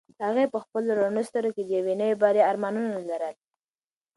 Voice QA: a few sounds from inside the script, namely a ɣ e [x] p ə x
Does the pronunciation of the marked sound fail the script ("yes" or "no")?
yes